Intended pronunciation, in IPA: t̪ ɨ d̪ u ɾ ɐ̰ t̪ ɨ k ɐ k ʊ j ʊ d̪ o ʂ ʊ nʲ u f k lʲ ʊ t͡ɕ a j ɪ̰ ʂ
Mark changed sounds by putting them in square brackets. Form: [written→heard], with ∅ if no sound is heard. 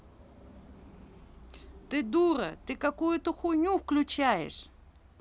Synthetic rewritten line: t̪ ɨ d̪ u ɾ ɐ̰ t̪ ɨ k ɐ k [ʊ→u] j ʊ [d̪→t̪] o [ʂ→x] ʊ nʲ u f k lʲ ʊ t͡ɕ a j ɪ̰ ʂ